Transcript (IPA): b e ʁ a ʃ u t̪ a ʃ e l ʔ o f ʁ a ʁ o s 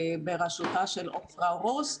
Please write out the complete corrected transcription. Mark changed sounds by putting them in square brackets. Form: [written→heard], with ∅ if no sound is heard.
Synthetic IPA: b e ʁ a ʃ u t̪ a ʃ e l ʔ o f ʁ a ʁ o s